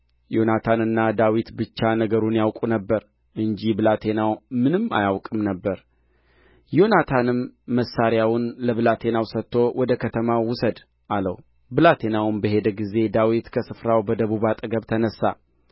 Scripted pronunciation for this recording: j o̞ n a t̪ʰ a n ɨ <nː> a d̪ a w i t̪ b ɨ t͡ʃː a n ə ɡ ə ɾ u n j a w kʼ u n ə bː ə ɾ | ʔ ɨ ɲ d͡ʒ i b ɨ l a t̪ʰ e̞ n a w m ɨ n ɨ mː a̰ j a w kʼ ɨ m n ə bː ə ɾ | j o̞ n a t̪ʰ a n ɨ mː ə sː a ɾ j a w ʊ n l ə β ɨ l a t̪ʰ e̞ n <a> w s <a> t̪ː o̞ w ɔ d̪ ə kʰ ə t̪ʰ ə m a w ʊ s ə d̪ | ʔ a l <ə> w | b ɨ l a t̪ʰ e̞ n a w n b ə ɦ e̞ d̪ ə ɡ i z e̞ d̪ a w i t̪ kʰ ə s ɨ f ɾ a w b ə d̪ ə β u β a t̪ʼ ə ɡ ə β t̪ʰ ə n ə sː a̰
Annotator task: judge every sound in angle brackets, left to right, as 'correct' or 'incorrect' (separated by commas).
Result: correct, correct, incorrect, correct